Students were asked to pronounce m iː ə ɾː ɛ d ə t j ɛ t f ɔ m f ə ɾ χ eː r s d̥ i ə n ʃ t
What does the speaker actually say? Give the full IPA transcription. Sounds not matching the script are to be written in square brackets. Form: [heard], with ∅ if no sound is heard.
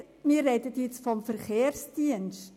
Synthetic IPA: m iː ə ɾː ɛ d ə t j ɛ [t͡s] f ɔ m f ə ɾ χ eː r s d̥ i ə n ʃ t